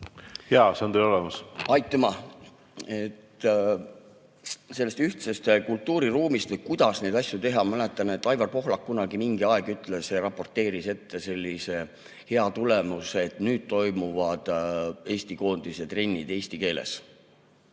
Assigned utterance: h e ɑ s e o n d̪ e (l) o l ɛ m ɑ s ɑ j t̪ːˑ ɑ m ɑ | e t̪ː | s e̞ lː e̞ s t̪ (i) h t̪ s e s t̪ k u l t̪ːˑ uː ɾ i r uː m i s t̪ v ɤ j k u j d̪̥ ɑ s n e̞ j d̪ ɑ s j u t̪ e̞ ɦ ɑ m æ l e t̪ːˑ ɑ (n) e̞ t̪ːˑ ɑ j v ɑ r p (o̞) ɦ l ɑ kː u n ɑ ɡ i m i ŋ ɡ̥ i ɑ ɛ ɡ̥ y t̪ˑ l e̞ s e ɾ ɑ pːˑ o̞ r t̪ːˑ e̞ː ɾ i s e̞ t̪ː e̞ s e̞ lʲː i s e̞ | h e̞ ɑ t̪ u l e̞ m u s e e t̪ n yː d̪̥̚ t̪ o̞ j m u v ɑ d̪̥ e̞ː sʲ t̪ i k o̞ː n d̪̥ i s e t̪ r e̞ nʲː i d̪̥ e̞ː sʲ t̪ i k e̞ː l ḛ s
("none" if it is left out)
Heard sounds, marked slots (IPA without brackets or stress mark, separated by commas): l, y, n, o̞